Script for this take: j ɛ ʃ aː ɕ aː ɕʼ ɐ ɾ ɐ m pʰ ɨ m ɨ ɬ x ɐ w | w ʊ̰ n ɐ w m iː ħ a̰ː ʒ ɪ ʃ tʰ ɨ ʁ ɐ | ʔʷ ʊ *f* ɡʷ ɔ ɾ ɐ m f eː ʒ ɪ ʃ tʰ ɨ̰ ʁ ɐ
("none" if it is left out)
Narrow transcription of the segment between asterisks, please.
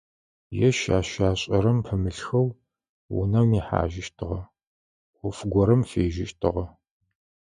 f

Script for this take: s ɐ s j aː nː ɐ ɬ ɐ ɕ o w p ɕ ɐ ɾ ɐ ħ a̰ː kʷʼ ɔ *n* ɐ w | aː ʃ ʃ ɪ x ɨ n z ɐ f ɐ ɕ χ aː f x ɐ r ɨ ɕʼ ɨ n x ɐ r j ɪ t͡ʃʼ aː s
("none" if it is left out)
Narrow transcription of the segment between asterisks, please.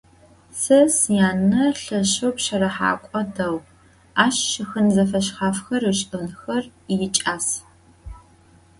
d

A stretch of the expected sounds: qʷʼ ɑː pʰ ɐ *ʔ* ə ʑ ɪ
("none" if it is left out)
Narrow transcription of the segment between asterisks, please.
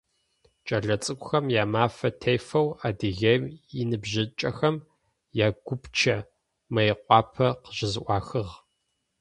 q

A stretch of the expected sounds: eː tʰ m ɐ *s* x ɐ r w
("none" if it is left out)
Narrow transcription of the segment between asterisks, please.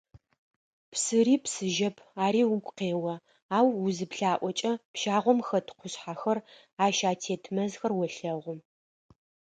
z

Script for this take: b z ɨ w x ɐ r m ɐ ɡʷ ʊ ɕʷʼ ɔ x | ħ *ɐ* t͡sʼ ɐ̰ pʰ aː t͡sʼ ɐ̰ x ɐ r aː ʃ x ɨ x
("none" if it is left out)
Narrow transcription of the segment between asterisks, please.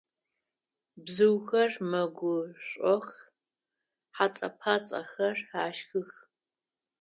a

